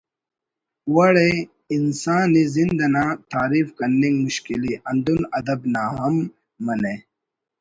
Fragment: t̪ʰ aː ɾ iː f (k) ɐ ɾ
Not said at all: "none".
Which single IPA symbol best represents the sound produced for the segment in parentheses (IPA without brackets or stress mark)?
k